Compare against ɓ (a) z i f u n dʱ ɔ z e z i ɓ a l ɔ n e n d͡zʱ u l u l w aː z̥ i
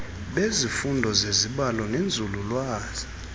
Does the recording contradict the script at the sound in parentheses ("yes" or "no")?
yes